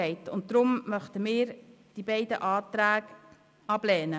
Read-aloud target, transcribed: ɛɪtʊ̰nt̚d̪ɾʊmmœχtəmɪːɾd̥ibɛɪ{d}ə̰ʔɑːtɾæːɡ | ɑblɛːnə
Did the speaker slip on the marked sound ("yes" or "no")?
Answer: no